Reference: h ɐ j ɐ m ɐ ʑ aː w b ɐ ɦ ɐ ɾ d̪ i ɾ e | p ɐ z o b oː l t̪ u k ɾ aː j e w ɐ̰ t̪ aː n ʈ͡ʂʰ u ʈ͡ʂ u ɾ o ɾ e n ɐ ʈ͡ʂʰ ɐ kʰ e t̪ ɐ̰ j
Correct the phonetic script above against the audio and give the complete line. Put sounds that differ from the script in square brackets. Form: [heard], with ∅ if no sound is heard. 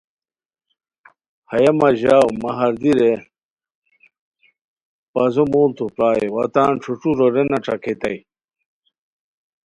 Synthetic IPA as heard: h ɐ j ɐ m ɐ ʑ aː w [m] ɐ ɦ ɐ ɾ d̪ i ɾ e | p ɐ z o [m] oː l t̪ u [p] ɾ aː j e w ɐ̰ t̪ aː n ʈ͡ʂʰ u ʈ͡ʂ u ɾ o ɾ e n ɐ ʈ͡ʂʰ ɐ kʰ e t̪ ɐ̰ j